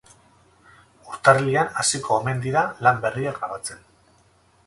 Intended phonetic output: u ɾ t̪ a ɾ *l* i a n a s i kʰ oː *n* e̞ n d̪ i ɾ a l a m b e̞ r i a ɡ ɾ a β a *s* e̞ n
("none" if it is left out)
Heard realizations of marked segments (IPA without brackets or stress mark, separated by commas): l, m, t͡s